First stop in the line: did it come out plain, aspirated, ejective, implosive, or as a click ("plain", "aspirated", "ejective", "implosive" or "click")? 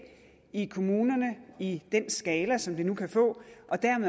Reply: aspirated